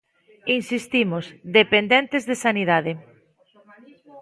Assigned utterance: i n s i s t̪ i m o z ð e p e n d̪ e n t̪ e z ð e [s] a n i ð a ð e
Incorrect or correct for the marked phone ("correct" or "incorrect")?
correct